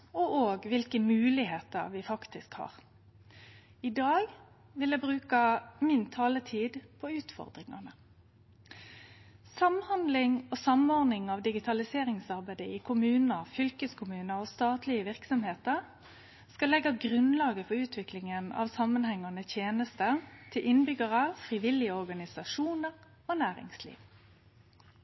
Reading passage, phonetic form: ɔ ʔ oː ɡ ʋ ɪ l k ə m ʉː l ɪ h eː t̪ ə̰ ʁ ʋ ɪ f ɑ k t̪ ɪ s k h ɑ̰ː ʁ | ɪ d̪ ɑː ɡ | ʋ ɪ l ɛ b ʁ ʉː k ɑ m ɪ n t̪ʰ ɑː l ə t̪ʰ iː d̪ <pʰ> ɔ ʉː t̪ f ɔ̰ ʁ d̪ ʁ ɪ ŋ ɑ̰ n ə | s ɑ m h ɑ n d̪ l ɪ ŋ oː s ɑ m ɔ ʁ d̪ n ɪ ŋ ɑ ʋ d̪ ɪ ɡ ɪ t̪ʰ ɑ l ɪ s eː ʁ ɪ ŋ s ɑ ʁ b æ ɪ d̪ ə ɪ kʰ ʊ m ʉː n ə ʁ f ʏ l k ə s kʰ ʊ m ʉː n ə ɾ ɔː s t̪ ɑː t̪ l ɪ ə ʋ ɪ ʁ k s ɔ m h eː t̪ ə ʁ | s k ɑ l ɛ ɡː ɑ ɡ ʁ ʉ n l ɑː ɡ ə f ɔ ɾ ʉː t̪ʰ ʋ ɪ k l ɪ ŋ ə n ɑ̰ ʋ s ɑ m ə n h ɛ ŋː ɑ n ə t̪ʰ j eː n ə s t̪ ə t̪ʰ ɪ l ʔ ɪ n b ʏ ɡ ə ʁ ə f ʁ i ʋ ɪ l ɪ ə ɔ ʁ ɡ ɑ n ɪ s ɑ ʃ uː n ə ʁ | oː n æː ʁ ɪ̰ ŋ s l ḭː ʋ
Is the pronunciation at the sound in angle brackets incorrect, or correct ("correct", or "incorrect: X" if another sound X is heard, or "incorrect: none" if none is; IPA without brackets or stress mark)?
correct